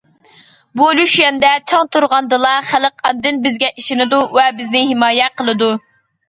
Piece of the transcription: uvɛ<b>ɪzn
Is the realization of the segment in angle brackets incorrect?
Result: no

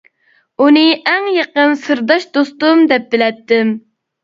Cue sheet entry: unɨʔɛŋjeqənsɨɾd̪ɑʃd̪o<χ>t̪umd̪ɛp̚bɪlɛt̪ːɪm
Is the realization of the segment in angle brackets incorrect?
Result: yes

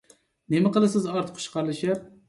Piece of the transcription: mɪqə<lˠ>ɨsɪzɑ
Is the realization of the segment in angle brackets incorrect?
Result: no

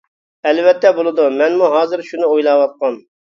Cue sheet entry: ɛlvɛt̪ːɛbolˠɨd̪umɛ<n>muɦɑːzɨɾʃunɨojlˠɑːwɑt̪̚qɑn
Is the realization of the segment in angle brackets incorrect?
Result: no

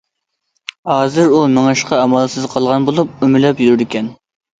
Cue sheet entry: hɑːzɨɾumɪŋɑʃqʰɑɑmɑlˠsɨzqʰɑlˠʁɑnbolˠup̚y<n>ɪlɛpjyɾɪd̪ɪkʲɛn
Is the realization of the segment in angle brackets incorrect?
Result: yes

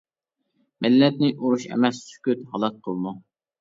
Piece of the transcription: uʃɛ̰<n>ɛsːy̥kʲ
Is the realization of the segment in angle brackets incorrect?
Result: yes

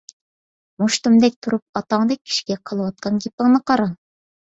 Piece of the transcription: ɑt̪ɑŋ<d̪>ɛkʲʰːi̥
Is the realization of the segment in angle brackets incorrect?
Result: no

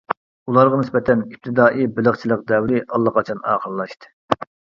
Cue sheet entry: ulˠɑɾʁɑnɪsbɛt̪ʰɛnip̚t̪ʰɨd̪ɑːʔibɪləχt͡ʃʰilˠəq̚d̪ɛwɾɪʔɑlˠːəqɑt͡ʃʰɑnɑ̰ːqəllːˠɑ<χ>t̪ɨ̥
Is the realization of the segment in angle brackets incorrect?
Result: yes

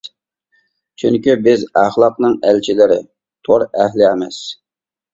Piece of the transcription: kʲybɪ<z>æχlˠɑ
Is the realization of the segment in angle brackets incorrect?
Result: no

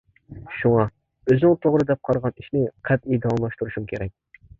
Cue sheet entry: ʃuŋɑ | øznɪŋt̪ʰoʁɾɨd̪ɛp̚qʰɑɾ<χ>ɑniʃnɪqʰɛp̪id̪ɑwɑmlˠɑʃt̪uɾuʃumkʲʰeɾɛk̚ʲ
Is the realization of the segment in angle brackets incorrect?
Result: yes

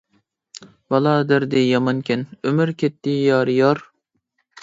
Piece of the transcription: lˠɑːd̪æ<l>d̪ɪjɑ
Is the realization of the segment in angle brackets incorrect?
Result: yes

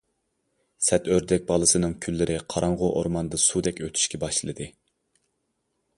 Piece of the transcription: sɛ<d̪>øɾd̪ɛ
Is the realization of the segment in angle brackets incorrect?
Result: yes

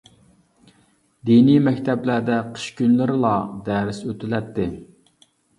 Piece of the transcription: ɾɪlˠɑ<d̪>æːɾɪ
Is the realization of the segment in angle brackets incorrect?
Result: no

